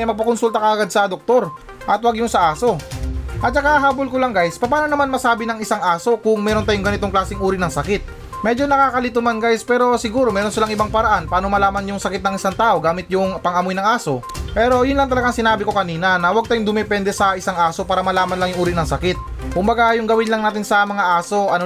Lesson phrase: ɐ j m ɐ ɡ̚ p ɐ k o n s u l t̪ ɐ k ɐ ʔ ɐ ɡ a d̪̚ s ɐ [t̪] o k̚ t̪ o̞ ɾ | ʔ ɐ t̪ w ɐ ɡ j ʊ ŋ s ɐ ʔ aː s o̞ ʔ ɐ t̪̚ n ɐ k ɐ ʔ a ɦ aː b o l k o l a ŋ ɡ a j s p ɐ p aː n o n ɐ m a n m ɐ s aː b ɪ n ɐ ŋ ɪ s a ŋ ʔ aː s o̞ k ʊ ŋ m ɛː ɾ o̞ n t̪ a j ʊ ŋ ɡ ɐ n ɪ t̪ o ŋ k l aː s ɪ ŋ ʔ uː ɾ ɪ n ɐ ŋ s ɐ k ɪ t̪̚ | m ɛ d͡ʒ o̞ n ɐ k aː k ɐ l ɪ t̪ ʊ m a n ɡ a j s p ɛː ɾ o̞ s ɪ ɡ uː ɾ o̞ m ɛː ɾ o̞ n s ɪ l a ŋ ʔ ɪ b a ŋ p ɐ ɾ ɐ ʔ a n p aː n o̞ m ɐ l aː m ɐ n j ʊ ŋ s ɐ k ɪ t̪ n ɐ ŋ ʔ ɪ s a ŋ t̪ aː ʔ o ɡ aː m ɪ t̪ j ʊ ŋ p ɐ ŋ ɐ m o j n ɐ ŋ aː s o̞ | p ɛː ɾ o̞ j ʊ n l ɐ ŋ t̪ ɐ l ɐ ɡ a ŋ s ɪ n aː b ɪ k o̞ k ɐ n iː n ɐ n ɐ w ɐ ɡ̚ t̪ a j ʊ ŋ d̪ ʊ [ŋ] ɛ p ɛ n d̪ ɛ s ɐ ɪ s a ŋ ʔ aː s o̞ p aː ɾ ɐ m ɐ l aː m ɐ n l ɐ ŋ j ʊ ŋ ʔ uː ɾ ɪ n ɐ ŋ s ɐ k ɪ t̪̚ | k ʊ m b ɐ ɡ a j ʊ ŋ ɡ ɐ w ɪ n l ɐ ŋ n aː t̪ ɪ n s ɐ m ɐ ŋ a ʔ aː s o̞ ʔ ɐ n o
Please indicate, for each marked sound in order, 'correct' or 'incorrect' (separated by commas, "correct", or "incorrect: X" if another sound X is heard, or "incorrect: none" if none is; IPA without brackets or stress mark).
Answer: incorrect: d̪, incorrect: m